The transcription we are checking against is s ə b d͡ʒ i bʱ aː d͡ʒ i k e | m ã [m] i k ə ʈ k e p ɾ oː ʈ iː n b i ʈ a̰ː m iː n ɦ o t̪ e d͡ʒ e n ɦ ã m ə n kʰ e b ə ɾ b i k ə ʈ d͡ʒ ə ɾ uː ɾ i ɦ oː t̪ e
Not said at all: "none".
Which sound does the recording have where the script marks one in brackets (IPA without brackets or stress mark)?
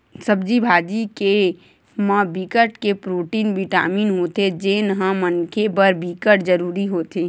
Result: b